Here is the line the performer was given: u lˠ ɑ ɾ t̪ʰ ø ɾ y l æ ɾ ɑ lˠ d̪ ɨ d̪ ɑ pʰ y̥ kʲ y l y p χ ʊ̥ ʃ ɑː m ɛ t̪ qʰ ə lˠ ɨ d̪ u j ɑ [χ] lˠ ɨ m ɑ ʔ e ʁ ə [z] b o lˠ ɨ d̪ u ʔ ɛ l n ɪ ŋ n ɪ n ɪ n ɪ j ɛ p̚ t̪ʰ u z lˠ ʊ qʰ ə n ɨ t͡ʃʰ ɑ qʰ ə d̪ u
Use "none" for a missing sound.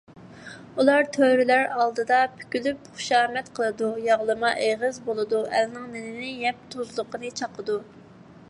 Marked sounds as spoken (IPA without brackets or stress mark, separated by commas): ʁ, z